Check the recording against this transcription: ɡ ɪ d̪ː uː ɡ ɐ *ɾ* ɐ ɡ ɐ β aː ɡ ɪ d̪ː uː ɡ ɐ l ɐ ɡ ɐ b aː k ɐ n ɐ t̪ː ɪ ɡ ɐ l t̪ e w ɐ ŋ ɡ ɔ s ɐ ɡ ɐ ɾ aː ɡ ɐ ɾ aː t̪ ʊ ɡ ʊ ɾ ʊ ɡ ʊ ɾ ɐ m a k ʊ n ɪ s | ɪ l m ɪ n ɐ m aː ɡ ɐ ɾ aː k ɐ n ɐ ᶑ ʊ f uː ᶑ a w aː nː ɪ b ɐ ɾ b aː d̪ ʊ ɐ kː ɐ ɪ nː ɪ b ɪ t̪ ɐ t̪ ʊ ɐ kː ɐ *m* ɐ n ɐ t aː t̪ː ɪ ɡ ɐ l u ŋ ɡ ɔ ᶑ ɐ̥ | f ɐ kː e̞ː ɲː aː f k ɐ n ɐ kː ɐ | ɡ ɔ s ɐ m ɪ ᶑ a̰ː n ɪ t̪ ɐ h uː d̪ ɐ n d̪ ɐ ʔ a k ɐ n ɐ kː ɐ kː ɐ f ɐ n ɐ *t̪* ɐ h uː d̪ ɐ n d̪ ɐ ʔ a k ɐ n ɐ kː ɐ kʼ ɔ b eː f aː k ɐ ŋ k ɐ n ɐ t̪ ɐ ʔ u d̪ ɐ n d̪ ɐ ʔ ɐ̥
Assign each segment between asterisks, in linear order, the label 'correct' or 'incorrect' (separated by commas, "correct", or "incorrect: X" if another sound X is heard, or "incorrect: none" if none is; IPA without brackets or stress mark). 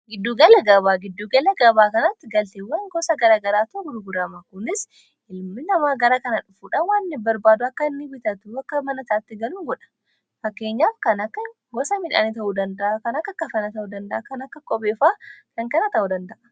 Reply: incorrect: l, correct, correct